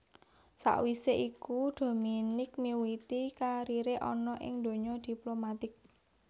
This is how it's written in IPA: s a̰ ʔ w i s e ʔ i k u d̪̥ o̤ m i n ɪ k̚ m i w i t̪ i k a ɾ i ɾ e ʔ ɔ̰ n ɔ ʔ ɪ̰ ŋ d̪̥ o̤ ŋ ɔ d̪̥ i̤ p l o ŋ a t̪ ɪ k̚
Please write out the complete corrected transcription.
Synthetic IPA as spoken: s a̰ ʔ w i s e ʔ i k u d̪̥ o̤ m i n ɪ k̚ m i w i t̪ i k a ɾ i ɾ e ʔ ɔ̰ n ɔ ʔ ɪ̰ ŋ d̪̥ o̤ ɲ ɔ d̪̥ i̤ p l o m a t̪ ɪ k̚